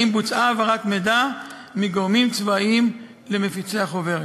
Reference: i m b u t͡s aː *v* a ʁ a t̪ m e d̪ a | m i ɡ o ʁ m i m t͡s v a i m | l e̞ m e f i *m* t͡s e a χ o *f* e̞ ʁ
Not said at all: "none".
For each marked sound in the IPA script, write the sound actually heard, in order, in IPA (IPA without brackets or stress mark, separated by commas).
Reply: v, none, v